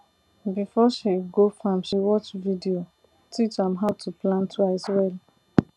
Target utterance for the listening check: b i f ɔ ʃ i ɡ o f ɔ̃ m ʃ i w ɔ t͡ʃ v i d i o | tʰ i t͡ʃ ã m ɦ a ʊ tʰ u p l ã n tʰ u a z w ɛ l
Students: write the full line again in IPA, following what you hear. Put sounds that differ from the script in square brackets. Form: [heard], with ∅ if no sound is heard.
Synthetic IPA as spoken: b i f ɔ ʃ i ɡ o f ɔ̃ m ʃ i w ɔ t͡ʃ v i d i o | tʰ i t͡ʃ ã m ɦ a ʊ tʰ u p l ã n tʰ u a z w ɛ l